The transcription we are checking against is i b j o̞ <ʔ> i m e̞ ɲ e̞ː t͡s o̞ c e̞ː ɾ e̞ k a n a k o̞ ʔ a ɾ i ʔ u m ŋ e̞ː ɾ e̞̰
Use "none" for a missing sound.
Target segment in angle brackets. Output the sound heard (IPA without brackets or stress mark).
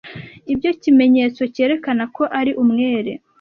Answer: c